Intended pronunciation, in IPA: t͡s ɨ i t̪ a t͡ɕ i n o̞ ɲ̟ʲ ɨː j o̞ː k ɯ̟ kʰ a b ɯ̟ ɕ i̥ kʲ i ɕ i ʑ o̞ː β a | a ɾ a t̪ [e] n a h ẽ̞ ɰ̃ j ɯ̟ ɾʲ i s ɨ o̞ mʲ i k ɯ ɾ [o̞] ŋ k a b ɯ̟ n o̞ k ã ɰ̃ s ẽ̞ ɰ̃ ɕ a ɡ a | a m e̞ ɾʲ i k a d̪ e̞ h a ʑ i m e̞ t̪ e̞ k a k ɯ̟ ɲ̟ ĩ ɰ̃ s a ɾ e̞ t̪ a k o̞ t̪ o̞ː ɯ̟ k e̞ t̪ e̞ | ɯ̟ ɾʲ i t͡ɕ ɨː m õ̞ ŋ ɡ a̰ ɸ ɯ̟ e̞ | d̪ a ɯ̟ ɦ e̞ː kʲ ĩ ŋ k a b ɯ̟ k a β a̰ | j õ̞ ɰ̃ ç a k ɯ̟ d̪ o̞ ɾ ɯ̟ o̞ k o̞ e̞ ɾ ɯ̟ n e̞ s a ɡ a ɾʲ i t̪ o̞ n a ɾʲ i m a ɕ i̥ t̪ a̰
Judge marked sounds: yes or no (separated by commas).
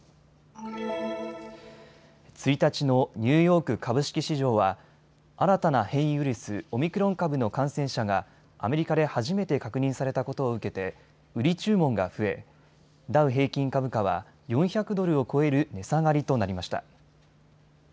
no, no